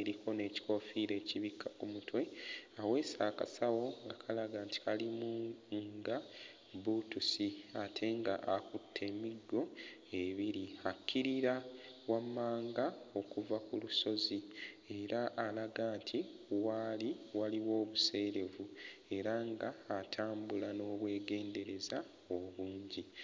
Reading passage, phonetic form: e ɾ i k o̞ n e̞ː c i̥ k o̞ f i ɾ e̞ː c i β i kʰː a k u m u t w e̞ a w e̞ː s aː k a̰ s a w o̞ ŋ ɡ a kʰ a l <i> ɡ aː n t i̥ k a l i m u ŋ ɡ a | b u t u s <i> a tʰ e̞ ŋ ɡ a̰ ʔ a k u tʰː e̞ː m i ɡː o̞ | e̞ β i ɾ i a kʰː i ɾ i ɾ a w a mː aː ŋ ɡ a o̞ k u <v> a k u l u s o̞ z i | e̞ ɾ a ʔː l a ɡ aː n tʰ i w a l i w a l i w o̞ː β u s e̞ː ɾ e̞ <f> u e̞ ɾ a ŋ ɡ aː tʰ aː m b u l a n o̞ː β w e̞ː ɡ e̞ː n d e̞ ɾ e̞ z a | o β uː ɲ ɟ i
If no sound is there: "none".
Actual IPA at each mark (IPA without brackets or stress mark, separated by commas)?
a, i, v, v